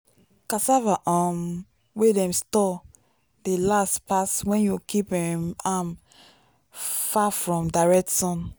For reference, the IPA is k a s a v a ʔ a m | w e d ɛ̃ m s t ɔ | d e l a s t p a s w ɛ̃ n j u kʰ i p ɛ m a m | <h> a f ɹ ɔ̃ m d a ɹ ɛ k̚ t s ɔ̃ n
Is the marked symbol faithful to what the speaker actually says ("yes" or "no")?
no